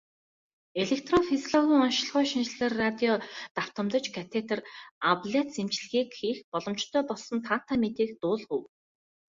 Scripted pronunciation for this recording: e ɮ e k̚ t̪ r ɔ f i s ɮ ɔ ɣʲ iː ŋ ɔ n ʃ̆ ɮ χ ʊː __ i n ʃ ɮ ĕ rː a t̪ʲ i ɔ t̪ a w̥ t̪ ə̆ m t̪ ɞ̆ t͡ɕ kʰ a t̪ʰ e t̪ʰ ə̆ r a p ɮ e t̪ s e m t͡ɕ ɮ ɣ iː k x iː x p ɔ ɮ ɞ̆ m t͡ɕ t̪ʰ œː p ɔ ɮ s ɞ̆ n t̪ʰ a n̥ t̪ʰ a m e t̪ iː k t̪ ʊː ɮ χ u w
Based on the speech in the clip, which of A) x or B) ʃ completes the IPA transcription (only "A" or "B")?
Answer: B